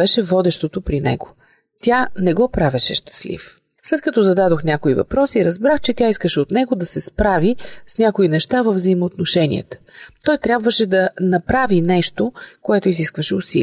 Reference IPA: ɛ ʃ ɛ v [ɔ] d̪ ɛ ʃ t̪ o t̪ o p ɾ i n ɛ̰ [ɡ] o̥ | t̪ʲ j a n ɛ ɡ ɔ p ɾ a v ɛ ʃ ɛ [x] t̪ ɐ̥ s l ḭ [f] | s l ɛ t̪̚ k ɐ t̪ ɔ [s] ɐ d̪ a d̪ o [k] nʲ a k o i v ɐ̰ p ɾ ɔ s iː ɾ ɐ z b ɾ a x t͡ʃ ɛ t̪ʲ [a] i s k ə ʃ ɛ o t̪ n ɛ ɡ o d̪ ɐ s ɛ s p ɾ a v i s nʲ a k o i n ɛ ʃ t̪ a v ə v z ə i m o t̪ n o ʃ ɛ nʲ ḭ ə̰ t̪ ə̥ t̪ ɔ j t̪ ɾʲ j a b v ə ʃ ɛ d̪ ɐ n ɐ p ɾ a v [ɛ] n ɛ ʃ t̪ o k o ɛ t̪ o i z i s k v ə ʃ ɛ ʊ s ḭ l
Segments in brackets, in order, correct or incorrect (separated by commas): correct, correct, incorrect, correct, incorrect, incorrect, correct, incorrect